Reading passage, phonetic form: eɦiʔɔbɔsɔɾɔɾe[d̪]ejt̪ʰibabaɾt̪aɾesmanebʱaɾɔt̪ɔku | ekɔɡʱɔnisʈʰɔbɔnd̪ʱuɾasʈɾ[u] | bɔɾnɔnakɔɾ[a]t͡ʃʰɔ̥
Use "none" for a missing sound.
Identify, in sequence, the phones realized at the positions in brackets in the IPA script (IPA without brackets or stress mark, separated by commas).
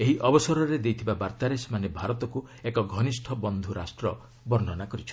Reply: d̪, ɔ, i